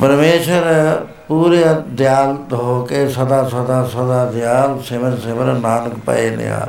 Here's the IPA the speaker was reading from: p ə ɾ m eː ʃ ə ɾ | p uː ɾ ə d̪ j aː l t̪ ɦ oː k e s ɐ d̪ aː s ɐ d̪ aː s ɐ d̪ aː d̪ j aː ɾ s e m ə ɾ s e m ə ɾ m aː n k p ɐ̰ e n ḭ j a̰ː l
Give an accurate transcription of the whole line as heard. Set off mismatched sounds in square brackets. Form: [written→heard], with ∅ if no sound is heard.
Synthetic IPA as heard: p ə ɾ m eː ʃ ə ɾ | p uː ɾ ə d̪ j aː l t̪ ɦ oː k e s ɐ d̪ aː s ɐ d̪ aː s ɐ d̪ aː d̪ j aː [ɾ→l] s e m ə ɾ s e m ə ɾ [m→n] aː n k p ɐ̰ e n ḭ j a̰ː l